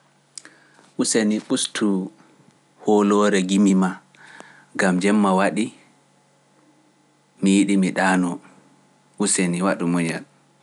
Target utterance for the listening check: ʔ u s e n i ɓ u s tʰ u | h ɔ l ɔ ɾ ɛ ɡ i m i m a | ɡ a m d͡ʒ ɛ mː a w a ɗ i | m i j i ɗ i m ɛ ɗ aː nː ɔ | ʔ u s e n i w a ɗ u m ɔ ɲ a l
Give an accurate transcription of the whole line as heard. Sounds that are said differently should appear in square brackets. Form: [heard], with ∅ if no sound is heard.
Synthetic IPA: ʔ u s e n i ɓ u s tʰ u | h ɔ l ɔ ɾ ɛ ɡ i m i m a | ɡ a m d͡ʒ ɛ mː a w a ɗ i | m i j i ɗ i m [i] ɗ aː [n] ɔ | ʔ u s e n i w a ɗ u m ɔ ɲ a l